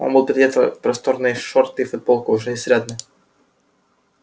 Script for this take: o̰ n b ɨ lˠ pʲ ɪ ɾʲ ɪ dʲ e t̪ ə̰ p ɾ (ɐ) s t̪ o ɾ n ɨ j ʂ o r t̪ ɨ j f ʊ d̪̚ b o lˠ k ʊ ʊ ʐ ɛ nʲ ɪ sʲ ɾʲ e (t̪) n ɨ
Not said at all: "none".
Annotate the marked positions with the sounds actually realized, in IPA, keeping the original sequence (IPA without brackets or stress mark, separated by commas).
ɐ, d̪